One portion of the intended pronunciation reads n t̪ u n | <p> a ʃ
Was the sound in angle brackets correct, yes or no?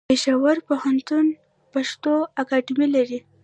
yes